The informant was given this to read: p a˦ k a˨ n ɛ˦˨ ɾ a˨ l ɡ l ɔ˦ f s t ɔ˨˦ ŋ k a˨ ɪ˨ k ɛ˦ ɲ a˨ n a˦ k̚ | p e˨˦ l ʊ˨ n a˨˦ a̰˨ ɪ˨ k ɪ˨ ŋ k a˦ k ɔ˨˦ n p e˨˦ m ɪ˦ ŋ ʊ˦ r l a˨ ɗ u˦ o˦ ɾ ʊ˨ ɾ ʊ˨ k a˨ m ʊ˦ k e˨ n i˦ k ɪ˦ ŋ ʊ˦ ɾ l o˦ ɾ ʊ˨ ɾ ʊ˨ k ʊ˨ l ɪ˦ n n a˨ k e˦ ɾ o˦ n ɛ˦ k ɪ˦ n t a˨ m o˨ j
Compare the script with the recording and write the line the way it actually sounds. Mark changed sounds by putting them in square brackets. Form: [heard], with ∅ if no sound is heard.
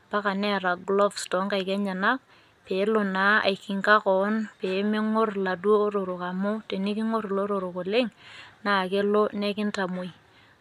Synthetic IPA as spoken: p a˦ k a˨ n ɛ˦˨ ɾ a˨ [∅] ɡ l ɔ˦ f s t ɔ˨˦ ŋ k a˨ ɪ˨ k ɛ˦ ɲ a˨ n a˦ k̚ | p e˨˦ l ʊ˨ n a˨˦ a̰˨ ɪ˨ k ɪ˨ ŋ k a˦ k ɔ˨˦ n p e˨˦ m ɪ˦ ŋ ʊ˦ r l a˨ [d] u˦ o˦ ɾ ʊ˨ ɾ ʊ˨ k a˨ m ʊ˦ [t] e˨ n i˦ k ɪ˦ ŋ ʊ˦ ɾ l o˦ ɾ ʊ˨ ɾ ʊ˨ k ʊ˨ l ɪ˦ [ŋ] n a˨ k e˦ [l] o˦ n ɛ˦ k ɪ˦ n t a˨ m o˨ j